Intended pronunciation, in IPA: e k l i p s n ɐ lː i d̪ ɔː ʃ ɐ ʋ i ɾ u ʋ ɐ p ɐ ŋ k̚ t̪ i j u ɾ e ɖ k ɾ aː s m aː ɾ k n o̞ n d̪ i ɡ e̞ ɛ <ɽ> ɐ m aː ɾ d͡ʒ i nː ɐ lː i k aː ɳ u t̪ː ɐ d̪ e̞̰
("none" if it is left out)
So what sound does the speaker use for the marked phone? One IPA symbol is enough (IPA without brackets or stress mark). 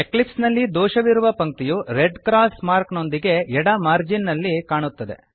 ɽ